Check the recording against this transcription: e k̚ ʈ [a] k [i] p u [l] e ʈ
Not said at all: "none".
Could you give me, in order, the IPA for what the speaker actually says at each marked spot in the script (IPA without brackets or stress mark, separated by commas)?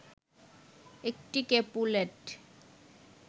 i, e, l